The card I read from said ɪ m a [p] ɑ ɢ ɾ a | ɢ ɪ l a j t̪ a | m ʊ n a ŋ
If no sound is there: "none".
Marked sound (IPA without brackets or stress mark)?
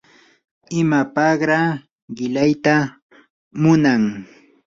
p